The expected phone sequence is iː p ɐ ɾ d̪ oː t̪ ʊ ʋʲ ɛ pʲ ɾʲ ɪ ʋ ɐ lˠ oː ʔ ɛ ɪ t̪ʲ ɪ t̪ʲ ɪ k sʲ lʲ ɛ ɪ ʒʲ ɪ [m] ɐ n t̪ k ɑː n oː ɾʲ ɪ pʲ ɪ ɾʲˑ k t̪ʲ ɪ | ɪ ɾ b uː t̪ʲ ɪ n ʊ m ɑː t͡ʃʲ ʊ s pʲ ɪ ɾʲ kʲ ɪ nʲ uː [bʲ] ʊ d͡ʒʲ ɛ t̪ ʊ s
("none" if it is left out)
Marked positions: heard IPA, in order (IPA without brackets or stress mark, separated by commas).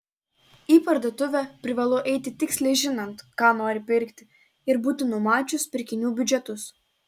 n, bʲ